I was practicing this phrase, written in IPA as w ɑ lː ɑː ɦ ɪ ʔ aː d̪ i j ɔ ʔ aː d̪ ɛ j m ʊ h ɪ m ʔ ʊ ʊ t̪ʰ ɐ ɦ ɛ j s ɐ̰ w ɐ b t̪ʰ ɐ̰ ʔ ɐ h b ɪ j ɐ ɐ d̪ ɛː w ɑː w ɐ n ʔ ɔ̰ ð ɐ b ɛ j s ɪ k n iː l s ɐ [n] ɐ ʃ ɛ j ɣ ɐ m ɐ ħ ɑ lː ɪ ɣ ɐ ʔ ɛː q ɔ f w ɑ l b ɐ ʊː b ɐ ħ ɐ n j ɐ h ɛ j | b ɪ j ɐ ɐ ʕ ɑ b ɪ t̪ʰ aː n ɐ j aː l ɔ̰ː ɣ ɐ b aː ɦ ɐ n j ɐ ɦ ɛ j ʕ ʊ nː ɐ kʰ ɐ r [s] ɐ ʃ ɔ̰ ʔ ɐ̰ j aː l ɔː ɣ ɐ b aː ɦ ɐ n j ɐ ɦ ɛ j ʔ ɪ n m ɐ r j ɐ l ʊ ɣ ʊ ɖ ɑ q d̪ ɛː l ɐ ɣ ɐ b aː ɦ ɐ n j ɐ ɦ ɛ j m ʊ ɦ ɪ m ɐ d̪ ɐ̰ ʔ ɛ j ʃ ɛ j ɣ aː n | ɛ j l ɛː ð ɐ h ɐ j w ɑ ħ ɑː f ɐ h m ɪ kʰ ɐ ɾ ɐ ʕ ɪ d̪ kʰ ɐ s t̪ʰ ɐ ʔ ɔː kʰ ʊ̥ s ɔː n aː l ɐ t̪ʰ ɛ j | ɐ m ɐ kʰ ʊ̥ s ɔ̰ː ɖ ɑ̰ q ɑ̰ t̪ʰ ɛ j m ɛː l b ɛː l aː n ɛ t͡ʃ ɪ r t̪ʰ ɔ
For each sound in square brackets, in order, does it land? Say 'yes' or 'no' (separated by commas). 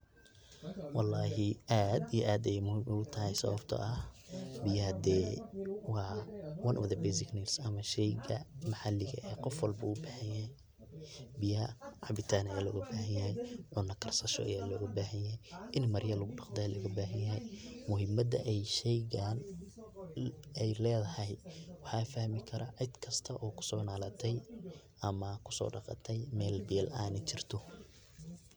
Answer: no, yes